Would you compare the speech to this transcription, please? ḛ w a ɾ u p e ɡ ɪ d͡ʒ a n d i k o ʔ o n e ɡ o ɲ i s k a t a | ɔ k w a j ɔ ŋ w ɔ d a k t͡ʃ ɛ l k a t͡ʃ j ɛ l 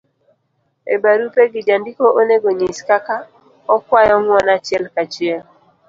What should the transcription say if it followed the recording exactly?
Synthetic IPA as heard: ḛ b a ɾ u p e ɡ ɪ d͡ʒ a n d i k o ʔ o n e ɡ o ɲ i s k a k a | ɔ k w a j ɔ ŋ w ɔ n a t͡ʃ ɛ l k a t͡ʃ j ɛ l